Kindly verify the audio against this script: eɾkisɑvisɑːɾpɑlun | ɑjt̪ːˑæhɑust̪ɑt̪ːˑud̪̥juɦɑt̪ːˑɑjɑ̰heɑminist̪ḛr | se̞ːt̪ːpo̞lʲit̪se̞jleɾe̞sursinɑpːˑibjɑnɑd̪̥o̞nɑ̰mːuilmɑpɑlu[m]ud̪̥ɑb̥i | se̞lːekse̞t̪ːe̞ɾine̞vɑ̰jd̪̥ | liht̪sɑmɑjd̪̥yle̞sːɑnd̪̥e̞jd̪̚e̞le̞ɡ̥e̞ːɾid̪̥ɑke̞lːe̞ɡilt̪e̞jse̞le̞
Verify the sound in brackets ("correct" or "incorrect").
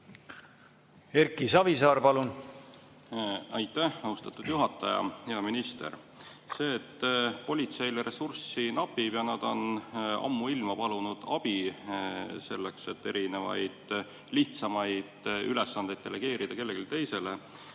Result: incorrect